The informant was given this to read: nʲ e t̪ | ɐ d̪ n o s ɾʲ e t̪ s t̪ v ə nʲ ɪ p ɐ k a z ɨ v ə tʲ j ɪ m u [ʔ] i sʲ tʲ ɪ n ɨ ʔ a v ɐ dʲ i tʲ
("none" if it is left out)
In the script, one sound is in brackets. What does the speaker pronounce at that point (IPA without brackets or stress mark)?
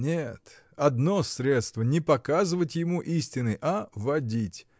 ʔ